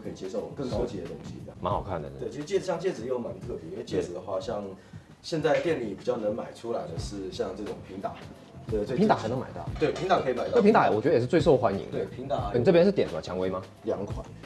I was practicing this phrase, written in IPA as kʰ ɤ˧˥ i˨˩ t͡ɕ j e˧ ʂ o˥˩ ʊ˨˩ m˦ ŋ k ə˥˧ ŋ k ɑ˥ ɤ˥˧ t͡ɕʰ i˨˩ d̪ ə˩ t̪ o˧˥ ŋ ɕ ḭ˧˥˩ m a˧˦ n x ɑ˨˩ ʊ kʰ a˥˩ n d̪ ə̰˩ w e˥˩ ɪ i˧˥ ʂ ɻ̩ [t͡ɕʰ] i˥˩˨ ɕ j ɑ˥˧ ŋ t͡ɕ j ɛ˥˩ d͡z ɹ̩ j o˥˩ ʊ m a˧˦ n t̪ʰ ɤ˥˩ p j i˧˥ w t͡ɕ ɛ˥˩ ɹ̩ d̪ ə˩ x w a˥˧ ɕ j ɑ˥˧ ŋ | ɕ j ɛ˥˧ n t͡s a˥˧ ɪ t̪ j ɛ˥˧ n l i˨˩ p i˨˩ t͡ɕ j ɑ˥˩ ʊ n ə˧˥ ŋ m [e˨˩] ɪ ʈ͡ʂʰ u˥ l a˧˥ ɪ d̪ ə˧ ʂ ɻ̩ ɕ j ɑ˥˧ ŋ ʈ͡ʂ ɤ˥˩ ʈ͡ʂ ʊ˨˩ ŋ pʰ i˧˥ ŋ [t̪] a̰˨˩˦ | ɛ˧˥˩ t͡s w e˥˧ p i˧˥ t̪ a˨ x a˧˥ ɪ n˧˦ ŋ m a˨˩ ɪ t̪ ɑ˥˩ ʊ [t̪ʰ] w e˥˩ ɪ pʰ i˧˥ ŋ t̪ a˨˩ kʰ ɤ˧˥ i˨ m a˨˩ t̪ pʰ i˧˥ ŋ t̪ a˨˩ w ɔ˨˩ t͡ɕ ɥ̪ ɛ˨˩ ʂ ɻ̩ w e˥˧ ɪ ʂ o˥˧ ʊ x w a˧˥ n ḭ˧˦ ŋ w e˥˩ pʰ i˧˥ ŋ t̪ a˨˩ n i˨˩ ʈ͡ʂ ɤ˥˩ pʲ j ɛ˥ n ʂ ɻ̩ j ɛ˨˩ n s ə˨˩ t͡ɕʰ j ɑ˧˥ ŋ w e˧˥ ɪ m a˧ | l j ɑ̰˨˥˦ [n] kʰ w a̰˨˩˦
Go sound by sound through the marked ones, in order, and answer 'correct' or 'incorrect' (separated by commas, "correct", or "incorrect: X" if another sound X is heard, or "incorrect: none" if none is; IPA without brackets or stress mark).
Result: incorrect: t͡ɕ, incorrect: a˨˩, correct, incorrect: t̪, incorrect: ŋ